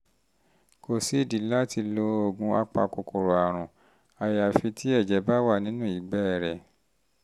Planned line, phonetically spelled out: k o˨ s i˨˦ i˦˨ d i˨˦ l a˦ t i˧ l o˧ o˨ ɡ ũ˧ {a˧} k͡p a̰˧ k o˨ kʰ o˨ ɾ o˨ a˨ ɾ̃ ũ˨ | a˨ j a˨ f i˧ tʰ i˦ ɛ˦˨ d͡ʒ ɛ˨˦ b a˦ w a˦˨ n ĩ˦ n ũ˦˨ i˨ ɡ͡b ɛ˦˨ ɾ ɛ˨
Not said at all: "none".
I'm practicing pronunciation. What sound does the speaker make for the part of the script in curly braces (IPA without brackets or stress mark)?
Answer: a˧